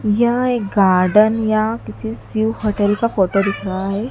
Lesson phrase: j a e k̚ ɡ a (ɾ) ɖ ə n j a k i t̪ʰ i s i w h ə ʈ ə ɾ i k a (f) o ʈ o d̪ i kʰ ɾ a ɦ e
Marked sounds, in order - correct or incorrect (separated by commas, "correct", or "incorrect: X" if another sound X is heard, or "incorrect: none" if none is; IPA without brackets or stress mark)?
correct, correct